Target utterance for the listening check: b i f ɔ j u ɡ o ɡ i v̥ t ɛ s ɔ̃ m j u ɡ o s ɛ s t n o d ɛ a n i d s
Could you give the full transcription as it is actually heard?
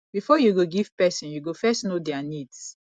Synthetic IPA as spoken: b i f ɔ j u ɡ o ɡ i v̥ p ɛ s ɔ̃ n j u ɡ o f ɛ s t n o d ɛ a n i d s